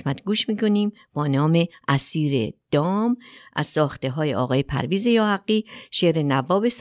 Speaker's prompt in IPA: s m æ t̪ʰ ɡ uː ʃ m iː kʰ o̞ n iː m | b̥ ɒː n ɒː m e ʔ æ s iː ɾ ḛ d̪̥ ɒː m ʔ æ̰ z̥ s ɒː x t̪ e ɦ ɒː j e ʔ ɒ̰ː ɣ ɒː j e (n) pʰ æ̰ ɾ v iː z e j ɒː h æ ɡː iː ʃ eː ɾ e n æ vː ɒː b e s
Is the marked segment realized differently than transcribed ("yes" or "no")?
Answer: yes